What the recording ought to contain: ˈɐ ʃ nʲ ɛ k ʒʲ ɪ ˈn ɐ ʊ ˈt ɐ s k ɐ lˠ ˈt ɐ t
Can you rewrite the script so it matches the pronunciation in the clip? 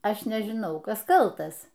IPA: ˈɐ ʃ nʲ ɛ ʒʲ ɪ ˈn ɐ ʊ ˈk ɐ s k ɐ lˠ ˈt ɐ s